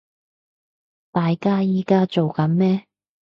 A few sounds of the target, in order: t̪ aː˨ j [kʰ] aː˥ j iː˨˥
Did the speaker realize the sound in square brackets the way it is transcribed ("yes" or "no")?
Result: no